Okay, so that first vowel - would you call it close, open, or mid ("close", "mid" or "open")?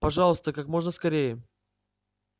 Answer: open